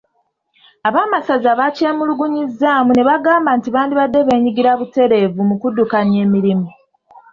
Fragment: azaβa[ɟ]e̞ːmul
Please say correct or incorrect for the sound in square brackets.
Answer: incorrect: c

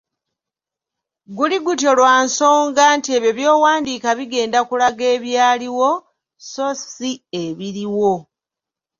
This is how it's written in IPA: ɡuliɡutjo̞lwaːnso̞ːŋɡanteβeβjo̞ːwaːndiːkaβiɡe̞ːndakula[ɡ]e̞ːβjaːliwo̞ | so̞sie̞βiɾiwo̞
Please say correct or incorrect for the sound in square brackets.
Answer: correct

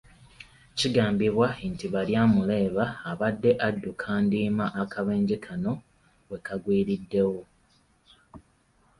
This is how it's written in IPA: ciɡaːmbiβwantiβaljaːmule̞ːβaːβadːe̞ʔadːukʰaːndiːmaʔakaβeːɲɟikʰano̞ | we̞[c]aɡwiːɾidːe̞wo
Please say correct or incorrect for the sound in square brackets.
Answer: incorrect: k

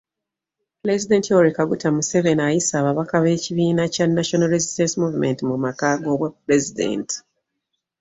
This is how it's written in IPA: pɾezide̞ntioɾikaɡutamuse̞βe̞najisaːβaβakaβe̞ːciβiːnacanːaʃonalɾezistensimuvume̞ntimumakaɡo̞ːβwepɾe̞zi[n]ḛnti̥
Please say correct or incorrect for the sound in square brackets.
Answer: incorrect: d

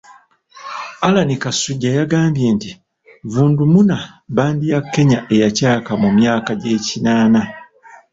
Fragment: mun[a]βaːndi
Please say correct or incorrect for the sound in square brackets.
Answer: correct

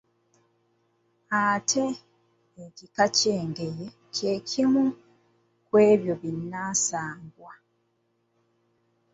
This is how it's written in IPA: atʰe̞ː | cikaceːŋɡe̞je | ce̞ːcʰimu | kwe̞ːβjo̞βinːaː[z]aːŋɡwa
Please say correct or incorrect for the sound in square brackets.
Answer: incorrect: s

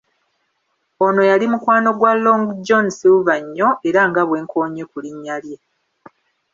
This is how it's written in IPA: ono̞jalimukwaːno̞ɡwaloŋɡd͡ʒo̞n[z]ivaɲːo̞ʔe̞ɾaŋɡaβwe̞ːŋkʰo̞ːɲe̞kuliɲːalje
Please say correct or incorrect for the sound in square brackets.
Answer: incorrect: s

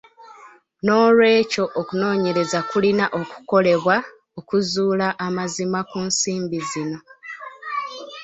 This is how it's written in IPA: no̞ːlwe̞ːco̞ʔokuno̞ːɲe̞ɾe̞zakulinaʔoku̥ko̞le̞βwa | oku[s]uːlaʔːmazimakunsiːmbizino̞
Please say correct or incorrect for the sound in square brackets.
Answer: incorrect: z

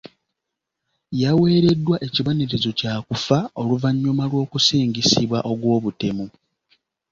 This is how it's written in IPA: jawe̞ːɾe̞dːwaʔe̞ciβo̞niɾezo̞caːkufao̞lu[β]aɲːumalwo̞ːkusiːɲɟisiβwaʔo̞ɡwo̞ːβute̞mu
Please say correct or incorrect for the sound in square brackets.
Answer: incorrect: v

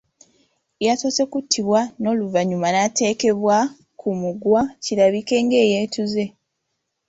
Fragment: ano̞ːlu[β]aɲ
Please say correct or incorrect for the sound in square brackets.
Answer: incorrect: v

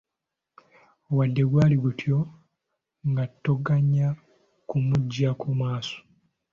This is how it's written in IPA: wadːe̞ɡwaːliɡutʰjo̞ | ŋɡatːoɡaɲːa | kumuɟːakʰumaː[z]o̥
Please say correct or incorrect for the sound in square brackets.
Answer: incorrect: s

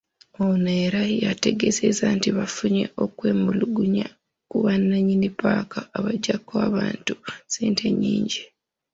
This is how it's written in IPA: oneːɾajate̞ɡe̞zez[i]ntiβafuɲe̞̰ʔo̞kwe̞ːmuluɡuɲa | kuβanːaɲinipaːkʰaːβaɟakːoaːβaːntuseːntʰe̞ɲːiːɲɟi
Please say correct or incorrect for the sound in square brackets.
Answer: incorrect: a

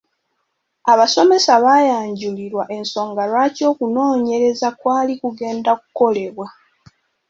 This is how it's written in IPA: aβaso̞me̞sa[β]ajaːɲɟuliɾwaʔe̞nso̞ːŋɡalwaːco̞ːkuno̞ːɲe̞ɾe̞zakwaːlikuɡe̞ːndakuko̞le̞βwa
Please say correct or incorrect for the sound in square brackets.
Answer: correct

